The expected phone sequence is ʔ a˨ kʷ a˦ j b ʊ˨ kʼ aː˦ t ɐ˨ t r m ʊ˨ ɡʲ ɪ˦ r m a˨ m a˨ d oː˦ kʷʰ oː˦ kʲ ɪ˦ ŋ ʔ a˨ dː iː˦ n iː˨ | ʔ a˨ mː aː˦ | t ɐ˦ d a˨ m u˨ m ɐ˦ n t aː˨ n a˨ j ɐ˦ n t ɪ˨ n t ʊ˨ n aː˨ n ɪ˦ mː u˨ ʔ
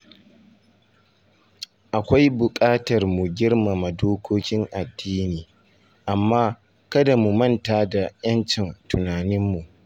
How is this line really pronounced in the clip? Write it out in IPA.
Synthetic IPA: ʔ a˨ kʷ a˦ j b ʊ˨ kʼ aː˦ t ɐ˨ r m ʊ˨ ɡʲ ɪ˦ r m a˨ m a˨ d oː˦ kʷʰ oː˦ kʲ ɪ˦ ŋ ʔ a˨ dː iː˦ n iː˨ | ʔ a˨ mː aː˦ | k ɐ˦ d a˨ m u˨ m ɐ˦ n t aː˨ d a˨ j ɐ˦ n t͡ʃ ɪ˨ n t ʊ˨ n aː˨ n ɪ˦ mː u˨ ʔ